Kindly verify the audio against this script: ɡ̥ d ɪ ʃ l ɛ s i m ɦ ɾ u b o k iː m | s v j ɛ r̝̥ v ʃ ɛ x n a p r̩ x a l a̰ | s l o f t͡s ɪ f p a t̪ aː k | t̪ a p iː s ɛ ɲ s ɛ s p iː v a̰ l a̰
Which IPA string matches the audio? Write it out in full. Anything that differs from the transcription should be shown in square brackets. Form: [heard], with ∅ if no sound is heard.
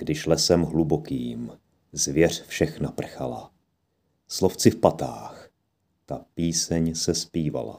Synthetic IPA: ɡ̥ d ɪ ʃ l ɛ s [ɛ] m ɦ [l] u b o k iː m | [z] v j ɛ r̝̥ [f] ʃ ɛ x n a p r̩ x a l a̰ | s l o f t͡s ɪ f p a t̪ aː [x] | t̪ a p iː s ɛ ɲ s ɛ s p iː v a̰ l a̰